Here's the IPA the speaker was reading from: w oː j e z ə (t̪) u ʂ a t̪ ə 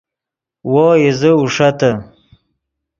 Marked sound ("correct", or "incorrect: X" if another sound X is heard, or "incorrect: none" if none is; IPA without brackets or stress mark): incorrect: none